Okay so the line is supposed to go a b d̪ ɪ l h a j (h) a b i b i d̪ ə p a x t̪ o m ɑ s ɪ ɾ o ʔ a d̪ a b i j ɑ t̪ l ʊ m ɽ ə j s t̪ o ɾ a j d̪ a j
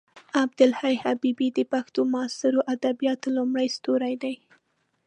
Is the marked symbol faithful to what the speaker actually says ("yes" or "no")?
yes